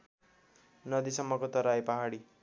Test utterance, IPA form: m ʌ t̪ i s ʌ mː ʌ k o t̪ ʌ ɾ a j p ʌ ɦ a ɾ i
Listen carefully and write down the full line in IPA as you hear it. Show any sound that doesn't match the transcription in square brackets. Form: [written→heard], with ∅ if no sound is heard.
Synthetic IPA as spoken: [m→n] ʌ [t̪→d̪] i s ʌ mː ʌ k o t̪ ʌ ɾ a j p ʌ ɦ a [ɾ→ɽ] i